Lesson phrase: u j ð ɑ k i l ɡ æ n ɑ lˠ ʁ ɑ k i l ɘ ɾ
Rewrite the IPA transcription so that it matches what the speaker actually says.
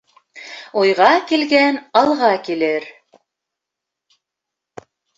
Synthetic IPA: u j ʁ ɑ k i l ɡ æ n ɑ lˠ ʁ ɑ k i l ɘ ɾ